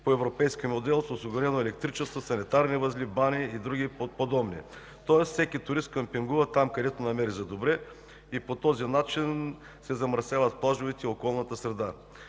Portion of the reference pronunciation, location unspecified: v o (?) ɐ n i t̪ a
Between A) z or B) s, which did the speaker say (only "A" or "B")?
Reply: B